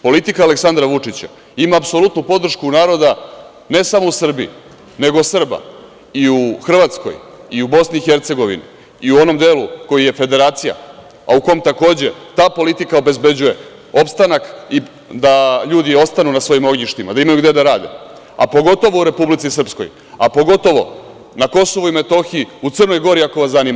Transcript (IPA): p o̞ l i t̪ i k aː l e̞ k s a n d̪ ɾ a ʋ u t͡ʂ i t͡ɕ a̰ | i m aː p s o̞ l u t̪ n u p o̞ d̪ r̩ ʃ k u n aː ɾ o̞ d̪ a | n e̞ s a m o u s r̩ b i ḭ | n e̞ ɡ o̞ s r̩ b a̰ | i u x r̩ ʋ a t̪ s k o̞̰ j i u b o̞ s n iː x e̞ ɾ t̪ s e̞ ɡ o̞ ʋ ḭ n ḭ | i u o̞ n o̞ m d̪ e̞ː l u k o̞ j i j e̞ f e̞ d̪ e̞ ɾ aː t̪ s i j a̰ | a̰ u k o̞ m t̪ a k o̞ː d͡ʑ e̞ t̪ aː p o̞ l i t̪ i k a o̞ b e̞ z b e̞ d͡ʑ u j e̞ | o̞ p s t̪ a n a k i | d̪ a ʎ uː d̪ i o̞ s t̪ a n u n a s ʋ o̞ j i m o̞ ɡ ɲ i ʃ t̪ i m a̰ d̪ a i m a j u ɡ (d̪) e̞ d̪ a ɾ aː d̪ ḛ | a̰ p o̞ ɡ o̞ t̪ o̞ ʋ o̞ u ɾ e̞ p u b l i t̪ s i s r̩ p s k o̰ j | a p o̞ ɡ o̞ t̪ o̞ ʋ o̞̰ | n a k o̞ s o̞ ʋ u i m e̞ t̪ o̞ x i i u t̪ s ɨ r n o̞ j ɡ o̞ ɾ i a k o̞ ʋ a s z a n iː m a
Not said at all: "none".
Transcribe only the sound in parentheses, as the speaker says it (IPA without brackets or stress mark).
d̪